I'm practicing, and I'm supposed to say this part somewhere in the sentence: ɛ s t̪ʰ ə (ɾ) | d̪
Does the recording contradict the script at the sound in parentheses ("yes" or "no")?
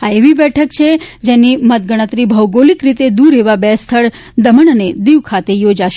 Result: yes